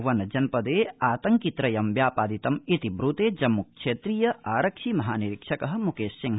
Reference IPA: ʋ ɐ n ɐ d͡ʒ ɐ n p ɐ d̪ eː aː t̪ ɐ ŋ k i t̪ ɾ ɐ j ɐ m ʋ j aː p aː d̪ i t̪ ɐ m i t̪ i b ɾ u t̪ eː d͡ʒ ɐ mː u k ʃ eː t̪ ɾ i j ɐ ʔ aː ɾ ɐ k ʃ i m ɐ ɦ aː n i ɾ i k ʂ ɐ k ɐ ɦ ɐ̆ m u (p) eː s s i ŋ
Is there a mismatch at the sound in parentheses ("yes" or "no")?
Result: yes